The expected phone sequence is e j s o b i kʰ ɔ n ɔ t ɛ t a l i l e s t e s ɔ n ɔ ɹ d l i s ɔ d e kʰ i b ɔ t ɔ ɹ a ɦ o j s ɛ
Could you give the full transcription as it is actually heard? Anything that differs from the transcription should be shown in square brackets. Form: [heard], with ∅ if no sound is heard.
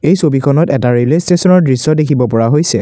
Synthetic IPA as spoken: e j s o b i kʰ ɔ n ɔ t ɛ t a [ɹ] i l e s t e s ɔ n ɔ ɹ d [ɹ] i s ɔ d e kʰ i b ɔ [p] ɔ ɹ a ɦ o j s ɛ